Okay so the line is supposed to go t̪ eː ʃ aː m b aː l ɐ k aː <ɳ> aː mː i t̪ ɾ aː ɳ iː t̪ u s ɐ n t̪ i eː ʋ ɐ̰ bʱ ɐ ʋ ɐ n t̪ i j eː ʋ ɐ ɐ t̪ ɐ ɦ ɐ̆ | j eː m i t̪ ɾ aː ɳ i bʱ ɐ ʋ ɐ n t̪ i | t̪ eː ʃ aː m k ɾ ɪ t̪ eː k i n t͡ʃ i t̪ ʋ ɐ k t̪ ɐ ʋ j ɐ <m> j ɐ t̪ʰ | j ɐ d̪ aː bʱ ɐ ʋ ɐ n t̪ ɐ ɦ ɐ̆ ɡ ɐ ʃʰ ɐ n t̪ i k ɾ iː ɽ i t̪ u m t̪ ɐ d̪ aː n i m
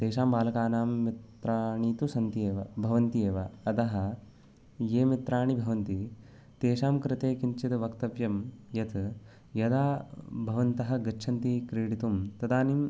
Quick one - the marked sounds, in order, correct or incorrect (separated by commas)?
incorrect, correct